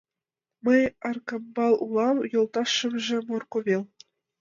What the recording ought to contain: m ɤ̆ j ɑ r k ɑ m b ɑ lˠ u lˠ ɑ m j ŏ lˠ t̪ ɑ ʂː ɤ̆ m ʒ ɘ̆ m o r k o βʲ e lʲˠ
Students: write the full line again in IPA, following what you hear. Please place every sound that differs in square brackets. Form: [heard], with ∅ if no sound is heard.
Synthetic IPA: m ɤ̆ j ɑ r k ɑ m b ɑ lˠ u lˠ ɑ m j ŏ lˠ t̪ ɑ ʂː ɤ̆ m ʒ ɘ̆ m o r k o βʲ e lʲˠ